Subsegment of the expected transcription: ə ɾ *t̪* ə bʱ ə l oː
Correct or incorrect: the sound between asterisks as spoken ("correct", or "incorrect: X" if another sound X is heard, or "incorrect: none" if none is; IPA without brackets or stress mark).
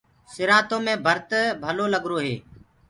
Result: correct